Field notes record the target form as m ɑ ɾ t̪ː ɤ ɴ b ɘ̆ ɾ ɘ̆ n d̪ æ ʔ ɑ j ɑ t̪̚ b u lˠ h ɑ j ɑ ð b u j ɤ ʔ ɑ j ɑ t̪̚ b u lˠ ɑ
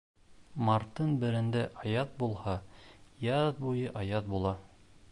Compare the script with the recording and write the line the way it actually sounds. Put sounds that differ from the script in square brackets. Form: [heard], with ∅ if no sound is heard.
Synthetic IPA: m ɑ ɾ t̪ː ɤ [n] b ɘ̆ ɾ ɘ̆ n d̪ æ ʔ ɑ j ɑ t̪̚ b u lˠ h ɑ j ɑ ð b u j ɤ ʔ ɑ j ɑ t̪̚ b u lˠ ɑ